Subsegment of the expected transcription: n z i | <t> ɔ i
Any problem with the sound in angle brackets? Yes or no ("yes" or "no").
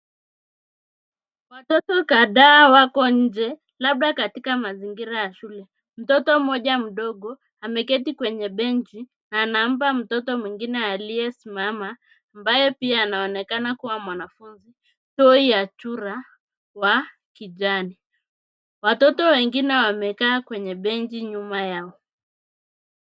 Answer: no